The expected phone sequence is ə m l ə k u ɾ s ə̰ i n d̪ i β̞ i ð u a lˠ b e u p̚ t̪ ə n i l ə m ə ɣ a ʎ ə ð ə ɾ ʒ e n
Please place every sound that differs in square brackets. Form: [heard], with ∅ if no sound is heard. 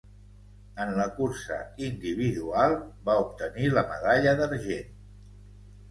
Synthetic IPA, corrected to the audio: ə [n] l ə k u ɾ s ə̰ i n d̪ i β̞ i ð u a lˠ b [a] u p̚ t̪ ə n i l ə m ə [ð] a ʎ ə ð ə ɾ ʒ e n